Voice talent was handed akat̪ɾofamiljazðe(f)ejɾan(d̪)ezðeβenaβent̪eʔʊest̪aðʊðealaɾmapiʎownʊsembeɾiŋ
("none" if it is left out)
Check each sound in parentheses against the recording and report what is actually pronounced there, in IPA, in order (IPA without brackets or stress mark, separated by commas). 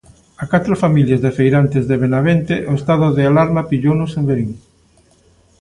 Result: f, t̪